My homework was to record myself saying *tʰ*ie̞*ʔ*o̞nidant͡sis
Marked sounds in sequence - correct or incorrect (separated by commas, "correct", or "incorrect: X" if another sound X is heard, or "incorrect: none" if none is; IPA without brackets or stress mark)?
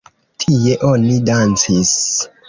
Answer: correct, correct